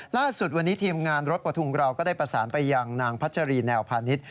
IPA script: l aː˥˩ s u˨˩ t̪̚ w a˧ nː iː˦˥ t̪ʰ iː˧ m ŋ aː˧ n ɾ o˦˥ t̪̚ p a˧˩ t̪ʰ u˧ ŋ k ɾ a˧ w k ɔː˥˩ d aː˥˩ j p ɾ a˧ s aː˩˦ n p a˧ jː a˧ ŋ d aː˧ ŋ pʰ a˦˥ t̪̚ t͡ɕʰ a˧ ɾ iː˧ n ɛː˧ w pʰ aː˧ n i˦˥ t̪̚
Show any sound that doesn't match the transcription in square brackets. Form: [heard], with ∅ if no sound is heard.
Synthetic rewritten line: l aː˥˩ s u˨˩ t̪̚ w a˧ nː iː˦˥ t̪ʰ iː˧ m ŋ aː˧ n ɾ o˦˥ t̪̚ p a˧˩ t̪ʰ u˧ ŋ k ɾ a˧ w k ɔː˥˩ d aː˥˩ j p ɾ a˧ s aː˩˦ n p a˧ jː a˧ ŋ [n] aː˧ ŋ pʰ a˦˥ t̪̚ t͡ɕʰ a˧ ɾ iː˧ n ɛː˧ w pʰ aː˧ n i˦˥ t̪̚

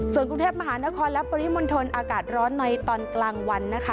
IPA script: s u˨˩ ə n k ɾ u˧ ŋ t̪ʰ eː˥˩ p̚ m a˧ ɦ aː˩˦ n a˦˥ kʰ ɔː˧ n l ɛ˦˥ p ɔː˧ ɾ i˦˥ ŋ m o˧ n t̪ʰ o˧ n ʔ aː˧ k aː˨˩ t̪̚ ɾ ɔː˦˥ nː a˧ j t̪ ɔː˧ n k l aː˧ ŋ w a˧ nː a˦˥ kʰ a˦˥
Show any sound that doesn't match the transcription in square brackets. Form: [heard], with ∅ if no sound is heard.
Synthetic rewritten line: s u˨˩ ə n k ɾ u˧ ŋ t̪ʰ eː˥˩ p̚ m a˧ ɦ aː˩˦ n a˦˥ kʰ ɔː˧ n l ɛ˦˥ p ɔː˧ ɾ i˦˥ [∅] m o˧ n t̪ʰ o˧ n ʔ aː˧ k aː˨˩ t̪̚ ɾ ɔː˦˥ nː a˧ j t̪ ɔː˧ n k l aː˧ ŋ w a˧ nː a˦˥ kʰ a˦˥

